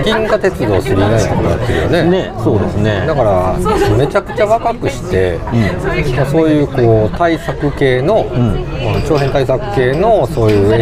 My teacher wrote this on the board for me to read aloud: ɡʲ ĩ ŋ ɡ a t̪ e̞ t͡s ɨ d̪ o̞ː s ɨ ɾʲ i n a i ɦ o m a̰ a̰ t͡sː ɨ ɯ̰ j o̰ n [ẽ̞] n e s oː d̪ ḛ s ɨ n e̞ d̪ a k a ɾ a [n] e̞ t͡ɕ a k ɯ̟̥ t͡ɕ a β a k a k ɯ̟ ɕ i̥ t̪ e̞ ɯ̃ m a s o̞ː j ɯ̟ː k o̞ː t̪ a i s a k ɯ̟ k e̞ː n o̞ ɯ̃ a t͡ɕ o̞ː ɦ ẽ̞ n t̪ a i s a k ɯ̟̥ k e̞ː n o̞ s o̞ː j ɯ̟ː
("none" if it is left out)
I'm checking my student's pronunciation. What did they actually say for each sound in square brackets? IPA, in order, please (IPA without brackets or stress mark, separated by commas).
e̞, m